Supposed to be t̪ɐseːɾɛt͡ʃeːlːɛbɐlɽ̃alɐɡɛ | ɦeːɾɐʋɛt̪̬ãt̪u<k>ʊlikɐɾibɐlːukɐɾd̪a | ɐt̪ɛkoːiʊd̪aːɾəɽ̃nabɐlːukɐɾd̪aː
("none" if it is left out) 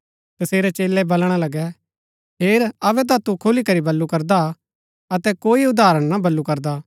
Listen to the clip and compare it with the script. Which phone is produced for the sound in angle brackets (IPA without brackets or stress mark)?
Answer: kʰ